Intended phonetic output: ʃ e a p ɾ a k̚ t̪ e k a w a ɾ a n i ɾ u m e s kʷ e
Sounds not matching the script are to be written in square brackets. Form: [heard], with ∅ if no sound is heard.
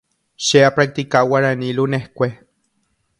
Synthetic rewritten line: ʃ e a p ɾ a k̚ t̪ [i] k a w a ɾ a n i [l] u [n] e [h] kʷ e